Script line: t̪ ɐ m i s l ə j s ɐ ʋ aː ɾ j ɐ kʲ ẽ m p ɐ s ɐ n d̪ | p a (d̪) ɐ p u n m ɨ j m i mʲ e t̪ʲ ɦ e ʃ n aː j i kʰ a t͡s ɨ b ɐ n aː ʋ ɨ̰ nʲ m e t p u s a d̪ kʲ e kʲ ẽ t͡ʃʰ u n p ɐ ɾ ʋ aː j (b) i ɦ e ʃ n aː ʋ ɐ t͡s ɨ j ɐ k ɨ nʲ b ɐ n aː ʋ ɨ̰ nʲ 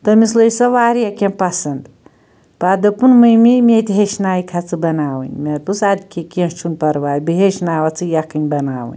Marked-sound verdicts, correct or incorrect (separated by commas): correct, correct